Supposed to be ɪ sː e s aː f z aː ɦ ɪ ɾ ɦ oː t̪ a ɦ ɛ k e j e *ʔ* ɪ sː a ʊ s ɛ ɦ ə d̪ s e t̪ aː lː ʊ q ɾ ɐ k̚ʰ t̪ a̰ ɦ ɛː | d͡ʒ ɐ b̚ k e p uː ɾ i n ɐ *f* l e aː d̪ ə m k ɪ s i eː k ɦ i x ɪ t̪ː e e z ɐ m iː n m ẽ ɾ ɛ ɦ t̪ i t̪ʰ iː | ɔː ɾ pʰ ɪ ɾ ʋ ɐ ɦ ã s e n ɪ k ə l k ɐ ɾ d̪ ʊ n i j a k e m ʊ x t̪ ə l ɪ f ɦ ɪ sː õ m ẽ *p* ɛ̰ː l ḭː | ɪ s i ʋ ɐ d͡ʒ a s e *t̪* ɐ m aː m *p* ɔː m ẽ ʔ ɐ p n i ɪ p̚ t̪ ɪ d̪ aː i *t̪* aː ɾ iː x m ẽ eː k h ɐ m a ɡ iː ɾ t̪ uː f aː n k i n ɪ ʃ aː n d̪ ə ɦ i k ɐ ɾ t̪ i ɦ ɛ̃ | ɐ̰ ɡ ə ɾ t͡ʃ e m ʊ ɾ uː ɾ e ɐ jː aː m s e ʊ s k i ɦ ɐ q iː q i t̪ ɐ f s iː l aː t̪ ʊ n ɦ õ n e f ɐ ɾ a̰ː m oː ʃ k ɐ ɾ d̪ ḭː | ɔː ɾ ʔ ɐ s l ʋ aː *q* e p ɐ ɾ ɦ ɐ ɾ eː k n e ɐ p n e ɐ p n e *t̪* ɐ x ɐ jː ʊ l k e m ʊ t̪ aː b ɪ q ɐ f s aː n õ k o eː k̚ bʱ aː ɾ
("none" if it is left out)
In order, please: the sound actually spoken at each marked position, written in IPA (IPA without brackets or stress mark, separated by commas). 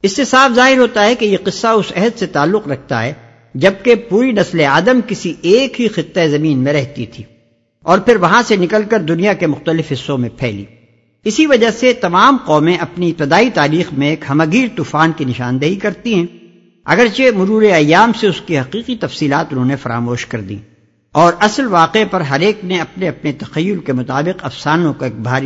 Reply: q, s, pʰ, t̪, q, t̪, q, t̪